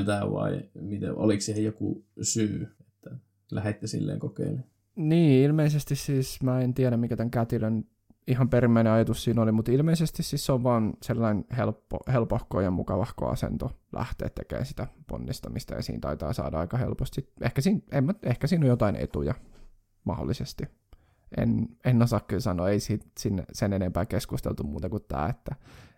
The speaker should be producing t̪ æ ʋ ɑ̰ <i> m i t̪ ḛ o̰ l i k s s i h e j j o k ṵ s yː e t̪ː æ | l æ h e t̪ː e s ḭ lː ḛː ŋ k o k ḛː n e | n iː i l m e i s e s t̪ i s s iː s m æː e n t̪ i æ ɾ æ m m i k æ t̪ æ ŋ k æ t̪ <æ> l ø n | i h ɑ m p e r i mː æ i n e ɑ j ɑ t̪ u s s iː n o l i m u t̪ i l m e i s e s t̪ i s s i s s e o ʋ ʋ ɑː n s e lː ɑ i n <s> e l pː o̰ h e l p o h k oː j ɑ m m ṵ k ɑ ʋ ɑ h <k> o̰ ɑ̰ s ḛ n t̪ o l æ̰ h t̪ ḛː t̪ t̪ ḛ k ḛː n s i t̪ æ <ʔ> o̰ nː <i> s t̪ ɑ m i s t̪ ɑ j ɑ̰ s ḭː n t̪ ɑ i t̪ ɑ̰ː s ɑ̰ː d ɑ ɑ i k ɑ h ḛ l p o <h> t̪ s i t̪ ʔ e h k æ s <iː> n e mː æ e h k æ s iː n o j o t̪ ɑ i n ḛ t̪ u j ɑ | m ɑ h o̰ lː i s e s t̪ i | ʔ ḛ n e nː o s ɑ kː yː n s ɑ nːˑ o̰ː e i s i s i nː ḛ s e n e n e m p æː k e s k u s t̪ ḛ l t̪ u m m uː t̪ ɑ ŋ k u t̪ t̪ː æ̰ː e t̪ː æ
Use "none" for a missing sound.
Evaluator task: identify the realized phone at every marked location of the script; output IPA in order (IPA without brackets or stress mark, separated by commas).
i, i, h, k, p, i, s, iː